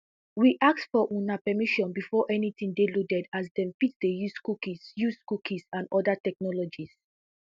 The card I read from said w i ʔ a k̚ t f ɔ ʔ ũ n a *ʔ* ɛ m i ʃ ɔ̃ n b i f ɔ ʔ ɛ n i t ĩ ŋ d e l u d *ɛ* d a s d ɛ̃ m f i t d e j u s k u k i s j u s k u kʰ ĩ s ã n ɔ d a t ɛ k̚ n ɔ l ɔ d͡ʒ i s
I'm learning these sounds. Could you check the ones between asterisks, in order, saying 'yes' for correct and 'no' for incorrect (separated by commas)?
no, yes